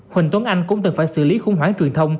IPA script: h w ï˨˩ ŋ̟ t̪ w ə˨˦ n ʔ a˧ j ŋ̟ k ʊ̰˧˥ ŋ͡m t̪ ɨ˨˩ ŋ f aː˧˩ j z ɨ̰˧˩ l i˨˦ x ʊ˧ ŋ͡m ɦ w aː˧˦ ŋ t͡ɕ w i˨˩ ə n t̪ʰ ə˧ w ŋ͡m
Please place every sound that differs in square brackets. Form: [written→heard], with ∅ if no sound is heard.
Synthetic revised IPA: h w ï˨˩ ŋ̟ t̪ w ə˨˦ n ʔ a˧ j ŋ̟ k ʊ̰˧˥ ŋ͡m t̪ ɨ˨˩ ŋ f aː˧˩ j [z→s] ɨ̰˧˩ l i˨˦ x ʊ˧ ŋ͡m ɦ w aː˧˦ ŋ t͡ɕ w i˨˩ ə n t̪ʰ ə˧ w ŋ͡m